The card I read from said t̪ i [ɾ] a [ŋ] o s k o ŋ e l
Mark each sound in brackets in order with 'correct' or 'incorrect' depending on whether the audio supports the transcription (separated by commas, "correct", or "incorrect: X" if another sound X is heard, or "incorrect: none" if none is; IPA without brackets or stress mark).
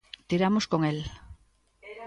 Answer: correct, incorrect: m